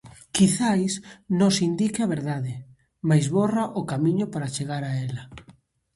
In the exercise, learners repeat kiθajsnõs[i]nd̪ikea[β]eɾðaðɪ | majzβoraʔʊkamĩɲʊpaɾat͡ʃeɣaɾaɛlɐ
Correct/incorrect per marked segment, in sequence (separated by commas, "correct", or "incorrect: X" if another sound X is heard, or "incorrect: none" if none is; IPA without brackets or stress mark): correct, correct